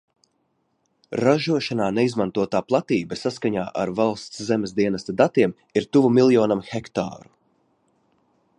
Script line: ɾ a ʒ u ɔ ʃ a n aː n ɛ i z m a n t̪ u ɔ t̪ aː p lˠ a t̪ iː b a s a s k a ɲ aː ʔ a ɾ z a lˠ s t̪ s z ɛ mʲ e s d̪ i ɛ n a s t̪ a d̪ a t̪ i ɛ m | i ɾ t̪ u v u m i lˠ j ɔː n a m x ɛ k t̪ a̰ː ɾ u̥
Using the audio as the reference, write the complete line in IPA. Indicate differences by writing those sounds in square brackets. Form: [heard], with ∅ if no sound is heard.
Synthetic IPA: ɾ a ʒ u ɔ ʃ a n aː n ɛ i z m a n t̪ u ɔ t̪ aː p lˠ a t̪ iː b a s a s k a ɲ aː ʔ a ɾ [v] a lˠ s t̪ s z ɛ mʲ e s d̪ i ɛ n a s t̪ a d̪ a t̪ i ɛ m | i ɾ t̪ u v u m i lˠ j ɔː n a m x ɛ k t̪ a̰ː ɾ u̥

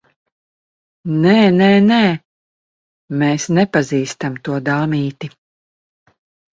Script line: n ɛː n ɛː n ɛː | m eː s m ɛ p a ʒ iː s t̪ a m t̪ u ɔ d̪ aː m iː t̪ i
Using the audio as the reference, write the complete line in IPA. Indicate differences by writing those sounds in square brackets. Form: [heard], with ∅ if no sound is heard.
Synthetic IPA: n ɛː n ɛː n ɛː | m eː s [n] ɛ p a [z] iː s t̪ a m t̪ u ɔ d̪ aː m iː t̪ i

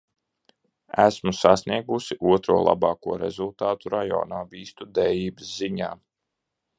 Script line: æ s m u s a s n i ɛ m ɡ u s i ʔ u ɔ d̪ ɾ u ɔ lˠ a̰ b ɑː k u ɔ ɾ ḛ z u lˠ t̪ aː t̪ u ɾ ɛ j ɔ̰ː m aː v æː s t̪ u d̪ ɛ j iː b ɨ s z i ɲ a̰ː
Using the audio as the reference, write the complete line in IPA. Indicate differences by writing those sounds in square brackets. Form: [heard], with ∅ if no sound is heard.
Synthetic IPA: æ s m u s a s n i ɛ [∅] ɡ u s i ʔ u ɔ [t̪] ɾ u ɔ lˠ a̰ b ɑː k u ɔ ɾ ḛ z u lˠ t̪ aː t̪ u ɾ [a] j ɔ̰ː [n] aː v [iː] s t̪ u d̪ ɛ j iː b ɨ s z i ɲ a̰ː

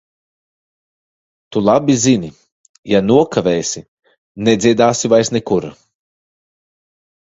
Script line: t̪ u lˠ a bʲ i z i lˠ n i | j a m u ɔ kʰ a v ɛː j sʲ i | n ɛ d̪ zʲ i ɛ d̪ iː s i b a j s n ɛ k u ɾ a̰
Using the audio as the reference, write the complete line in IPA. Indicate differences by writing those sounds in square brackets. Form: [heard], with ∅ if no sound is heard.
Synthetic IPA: t̪ u lˠ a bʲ i z i [∅] n i | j a [n] u ɔ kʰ a v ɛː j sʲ i | n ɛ d̪ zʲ i ɛ d̪ [aː] s i [v] a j s n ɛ k u ɾ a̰

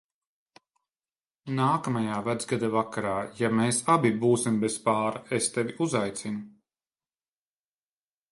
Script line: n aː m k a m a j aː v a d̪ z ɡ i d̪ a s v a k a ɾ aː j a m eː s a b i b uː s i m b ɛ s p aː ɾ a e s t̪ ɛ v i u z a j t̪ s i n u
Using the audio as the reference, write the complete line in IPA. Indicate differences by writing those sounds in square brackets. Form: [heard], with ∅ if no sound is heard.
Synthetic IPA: n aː [∅] k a m a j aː v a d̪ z ɡ [a] d̪ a [∅] v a k a ɾ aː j a m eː s a b i b uː s i m b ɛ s p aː ɾ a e s t̪ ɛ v i u z a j t̪ s i n u

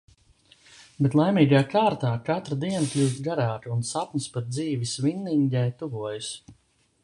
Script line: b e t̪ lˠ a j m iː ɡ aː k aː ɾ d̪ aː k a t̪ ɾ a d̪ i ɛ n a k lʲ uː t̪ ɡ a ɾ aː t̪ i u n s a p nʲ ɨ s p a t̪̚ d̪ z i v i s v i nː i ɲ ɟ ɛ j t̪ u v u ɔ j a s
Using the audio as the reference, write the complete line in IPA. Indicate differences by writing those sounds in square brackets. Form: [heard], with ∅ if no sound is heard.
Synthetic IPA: b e t̪ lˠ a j m iː ɡ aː k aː ɾ [t̪] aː k a t̪ ɾ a d̪ i ɛ n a k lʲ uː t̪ ɡ a ɾ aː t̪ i u n s a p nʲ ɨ s p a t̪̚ d̪ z [iː] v i s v i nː i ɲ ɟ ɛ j t̪ u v u ɔ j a s

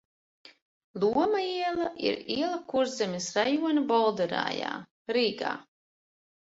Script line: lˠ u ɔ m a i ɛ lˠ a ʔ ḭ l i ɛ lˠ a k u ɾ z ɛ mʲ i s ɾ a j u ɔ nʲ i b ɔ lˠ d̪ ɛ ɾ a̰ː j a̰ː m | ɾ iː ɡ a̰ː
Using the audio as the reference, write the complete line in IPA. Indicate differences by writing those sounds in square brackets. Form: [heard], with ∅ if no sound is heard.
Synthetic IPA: lˠ u ɔ m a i ɛ lˠ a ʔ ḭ [ɾ] i ɛ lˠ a k u ɾ z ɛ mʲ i s ɾ a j u ɔ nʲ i b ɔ lˠ d̪ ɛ ɾ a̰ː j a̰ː [∅] | ɾ iː ɡ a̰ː

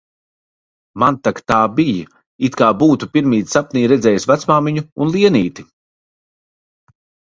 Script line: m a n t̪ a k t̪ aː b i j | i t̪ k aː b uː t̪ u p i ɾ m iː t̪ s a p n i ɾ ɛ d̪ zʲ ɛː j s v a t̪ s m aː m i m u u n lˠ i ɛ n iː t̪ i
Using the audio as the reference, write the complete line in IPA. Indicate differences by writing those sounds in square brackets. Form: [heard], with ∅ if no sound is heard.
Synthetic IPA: m a n t̪ a k t̪ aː b i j | i t̪ k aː b uː t̪ u p i ɾ m iː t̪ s a p n [iː] ɾ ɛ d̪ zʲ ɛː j s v a t̪ s m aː m i [ɲ] u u n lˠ i ɛ n iː t̪ i

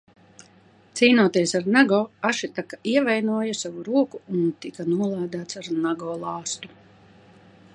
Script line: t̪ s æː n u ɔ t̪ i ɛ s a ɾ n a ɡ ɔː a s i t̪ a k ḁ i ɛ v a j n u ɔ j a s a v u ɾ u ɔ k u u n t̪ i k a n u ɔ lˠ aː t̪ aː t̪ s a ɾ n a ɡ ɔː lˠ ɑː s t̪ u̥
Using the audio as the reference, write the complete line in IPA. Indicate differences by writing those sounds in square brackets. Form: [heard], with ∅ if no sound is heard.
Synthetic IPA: t̪ s [iː] n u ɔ t̪ i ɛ s a ɾ n a ɡ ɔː a [ʃ] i t̪ a k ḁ i ɛ v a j n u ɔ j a s a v u ɾ u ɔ k u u n t̪ i k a n u ɔ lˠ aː [d̪] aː t̪ s a ɾ n a ɡ ɔː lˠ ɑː s t̪ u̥

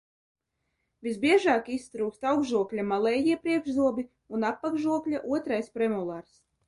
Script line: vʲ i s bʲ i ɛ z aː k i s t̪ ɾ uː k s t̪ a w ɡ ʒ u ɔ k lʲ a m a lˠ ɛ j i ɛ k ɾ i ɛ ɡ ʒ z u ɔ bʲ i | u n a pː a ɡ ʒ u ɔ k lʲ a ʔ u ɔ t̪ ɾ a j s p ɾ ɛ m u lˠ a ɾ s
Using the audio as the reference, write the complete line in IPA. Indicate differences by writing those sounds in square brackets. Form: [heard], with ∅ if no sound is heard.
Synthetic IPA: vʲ i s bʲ i ɛ [ʒ] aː k i s t̪ ɾ uː k s t̪ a w ɡ ʒ u ɔ k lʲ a m a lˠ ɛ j i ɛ [p] ɾ i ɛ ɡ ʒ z u ɔ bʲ i | u n a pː a ɡ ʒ u ɔ k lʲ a ʔ u ɔ t̪ ɾ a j s p ɾ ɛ m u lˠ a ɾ s

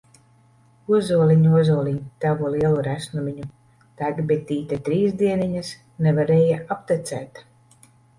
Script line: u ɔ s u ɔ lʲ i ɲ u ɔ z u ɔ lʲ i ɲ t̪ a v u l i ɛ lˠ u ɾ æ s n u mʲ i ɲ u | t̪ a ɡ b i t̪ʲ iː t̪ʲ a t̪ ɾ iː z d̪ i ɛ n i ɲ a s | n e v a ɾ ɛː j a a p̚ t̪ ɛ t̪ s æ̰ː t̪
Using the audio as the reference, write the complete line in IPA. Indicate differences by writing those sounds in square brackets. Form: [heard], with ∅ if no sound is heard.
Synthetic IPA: u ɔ [z] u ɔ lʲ i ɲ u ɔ z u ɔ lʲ i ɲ t̪ a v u l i ɛ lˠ u ɾ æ s n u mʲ i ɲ u | t̪ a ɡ b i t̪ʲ iː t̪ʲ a t̪ ɾ iː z d̪ i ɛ n i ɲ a s | n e v a ɾ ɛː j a a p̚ t̪ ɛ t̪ s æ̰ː t̪

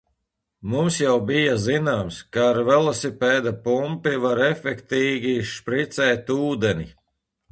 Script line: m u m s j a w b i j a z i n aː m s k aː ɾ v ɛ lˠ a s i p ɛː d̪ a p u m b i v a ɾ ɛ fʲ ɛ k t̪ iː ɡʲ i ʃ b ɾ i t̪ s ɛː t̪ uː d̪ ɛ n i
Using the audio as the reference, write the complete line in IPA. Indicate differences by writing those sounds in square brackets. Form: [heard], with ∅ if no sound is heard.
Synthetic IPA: m u m s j a w b i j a z i n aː m s k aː ɾ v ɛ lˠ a s i p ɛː d̪ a p u m [p] i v a ɾ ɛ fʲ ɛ k t̪ iː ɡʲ i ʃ [p] ɾ i t̪ s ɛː t̪ uː d̪ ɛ n i

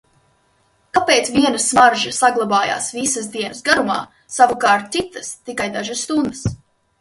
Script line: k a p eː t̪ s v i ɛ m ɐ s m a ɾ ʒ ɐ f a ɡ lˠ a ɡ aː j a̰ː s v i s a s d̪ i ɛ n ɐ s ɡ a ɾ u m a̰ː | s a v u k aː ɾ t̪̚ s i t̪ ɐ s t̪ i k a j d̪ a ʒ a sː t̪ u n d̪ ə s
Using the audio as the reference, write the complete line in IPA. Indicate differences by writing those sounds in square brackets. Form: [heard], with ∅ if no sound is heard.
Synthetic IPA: k a p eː t̪ s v i ɛ [n] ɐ s m a ɾ ʒ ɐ [s] a ɡ lˠ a [b] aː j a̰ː s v i s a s d̪ i ɛ n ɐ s ɡ a ɾ u m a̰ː | s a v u k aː ɾ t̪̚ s i t̪ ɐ s t̪ i k a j d̪ a ʒ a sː t̪ u n d̪ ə s

